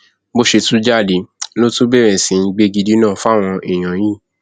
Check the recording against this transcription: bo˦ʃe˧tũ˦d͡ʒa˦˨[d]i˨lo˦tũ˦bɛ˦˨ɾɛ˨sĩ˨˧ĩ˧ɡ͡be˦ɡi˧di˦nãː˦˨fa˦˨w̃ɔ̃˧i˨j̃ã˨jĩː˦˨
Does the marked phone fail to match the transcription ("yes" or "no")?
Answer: no